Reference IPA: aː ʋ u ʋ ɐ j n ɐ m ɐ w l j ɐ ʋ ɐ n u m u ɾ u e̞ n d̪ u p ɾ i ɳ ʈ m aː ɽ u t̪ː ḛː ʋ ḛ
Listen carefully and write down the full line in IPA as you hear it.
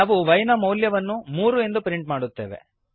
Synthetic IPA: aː ʋ u ʋ ɐ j n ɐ m ɐ w l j ɐ ʋ ɐ nː u m uː ɾ u e̞ n d̪ u p ɾ i ɳ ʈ m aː ɽ u t̪ː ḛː ʋ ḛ

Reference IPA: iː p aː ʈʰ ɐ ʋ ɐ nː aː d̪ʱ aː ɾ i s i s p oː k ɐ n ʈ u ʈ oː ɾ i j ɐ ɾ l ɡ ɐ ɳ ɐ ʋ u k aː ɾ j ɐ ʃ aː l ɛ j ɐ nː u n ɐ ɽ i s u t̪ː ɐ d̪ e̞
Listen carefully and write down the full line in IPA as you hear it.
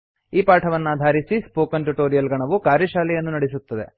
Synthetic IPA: iː p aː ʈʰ ɐ ʋ ɐ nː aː d̪ʱ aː ɾ i s i s p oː k ɐ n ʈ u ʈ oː ɾ i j ɐ l ɡ ɐ ɳ ɐ ʋ u k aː ɾ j ɐ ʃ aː l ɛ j ɐ nː u n ɐ ɽ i s u t̪ː ɐ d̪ e̞

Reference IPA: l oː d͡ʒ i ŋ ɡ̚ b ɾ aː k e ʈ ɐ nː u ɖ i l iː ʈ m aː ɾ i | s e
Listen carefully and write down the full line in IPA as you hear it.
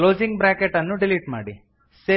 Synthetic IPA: l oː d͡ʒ i ŋ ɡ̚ b ɾ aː k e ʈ ɐ nː u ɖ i l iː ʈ m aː ɽ i | s e

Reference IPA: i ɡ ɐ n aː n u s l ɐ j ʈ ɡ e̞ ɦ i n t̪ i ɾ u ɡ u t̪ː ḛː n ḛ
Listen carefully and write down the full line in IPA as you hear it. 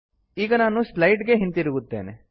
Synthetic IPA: iː ɡ ɐ n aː n u s l ɐ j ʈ ɡ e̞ ɦ i n t̪ i ɾ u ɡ u t̪ː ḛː n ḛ

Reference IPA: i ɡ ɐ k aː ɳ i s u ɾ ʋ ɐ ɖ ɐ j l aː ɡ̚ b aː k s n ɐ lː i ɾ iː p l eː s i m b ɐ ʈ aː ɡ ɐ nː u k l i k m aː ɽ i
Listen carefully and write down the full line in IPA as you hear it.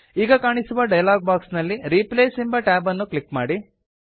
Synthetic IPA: iː ɡ ɐ k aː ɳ i s u ʋ ɐ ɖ ɐ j l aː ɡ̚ b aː k s n ɐ lː i ɾ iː p l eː s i m b ɐ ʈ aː b ɐ nː u k l i k m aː ɽ i

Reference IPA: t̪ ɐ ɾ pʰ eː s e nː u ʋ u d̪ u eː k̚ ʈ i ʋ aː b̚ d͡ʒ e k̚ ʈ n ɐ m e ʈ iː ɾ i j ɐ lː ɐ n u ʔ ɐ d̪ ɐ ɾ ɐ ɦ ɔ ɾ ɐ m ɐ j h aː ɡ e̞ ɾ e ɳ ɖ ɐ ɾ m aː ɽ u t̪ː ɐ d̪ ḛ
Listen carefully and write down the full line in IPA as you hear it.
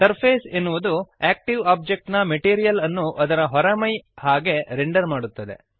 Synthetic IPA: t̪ ɐ ɾ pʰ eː s e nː u ʋ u d̪ u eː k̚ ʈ i ʋ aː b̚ d͡ʒ e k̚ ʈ n ɐ m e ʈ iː ɾ i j ɐ l ɐ nː u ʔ ɐ d̪ ɐ ɾ ɐ ɦ ɔ ɾ ɐ m ɐ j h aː ɡ e̞ ɾ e ɳ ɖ ɐ ɾ m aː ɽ u t̪ː ɐ d̪ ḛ

